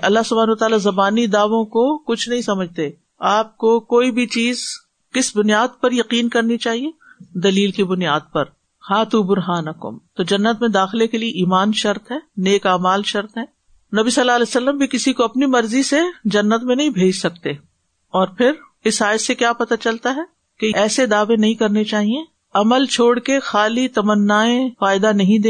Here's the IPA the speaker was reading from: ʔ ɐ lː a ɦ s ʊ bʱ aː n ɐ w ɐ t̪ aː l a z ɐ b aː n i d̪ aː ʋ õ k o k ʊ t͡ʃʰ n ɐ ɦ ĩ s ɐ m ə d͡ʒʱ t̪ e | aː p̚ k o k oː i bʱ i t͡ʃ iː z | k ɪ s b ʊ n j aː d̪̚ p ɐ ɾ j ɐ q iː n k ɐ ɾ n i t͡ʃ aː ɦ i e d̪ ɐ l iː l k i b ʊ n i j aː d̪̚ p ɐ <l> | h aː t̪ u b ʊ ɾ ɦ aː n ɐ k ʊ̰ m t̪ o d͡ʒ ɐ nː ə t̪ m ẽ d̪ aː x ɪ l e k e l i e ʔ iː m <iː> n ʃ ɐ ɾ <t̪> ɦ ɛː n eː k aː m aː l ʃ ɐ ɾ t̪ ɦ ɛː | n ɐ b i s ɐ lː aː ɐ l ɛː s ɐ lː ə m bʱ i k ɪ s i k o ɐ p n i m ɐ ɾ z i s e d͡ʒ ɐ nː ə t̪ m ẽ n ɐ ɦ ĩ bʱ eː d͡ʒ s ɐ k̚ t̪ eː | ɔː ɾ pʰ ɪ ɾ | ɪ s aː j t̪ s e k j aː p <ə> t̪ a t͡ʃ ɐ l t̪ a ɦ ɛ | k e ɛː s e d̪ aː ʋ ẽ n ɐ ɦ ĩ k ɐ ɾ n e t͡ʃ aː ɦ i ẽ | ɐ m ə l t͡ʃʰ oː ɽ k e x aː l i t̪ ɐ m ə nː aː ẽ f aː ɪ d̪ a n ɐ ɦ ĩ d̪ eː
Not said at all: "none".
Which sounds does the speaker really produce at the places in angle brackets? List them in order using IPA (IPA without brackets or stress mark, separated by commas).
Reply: ɾ, aː, t̪, ɐ